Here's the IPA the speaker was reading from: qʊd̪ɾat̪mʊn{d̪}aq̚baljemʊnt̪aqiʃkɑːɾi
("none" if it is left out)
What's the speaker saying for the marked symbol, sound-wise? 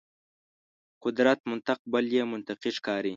t̪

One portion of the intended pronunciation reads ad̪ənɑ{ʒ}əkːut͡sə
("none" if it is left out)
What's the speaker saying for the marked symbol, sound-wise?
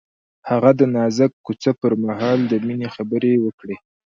z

